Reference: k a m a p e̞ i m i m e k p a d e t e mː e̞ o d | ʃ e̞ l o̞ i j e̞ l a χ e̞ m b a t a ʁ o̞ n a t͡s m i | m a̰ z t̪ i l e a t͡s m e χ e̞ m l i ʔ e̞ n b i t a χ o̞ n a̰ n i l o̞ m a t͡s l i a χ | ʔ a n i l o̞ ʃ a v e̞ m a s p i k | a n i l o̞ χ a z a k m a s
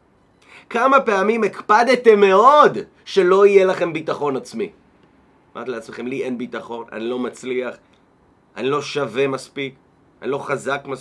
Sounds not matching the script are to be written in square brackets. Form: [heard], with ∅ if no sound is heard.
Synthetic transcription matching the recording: k a m a p e̞ [a] m i m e k p a d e t e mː e̞ o d | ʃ e̞ l o̞ i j e̞ l a χ e̞ m b [i] t a [χ] o̞ n a t͡s m i | m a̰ [ʁ] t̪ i l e a t͡s m e χ e̞ m l i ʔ e̞ n b i t a χ o̞ n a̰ n i l o̞ m a t͡s l i a χ | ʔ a n i l o̞ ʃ a v e̞ m a s p i k | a n i l o̞ χ a z a k m a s